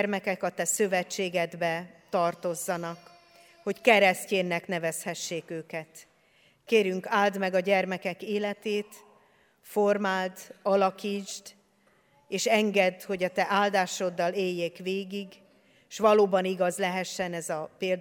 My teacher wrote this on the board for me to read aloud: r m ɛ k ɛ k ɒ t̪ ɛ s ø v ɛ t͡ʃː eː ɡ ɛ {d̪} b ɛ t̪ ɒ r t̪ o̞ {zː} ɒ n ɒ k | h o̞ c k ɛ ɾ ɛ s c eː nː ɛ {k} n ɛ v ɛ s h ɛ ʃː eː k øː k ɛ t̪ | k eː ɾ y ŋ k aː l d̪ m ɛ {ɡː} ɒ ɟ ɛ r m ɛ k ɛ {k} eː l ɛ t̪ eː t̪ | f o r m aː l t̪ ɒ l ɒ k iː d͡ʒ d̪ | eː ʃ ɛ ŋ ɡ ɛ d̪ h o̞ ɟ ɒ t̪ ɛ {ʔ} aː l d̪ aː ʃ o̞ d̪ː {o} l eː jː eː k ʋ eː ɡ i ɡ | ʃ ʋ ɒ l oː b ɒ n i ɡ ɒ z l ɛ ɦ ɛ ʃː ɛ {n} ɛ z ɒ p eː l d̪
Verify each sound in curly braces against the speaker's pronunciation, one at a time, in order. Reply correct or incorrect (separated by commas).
correct, correct, correct, incorrect, correct, correct, incorrect, correct